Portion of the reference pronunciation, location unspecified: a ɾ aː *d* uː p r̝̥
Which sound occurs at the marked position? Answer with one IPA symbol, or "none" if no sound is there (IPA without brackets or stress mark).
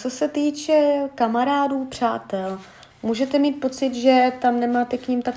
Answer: d